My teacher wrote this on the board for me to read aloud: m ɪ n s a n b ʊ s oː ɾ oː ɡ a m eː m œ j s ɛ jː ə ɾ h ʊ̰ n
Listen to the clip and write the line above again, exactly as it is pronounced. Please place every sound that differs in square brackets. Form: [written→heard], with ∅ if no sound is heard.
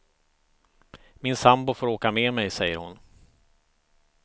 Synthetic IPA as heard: m ɪ n s a [n→m] b ʊ [s→f] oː ɾ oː [ɡ→k] a m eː m [œ→ɛ] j s ɛ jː ə ɾ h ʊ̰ n